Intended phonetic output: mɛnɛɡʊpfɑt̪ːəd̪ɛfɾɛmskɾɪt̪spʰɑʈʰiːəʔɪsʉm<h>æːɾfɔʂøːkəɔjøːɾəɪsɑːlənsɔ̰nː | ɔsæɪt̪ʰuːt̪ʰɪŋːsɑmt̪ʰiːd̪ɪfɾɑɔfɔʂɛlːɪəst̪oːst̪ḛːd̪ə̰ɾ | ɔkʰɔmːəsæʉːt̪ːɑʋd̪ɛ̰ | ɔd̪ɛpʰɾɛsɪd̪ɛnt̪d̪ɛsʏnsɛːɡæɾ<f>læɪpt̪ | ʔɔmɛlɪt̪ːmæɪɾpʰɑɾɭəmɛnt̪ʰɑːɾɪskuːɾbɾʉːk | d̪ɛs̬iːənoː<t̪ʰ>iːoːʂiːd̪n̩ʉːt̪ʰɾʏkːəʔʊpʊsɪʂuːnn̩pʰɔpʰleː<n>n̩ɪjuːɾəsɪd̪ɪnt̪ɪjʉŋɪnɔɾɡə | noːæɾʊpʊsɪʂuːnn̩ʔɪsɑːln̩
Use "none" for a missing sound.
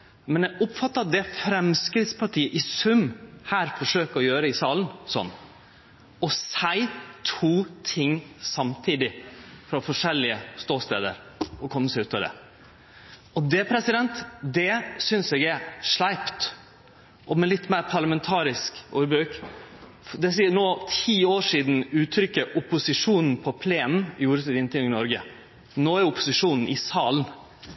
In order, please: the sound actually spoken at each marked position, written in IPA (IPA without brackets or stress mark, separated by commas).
h, ʂ, t̪ʰ, n